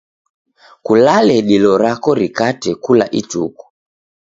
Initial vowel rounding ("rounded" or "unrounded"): rounded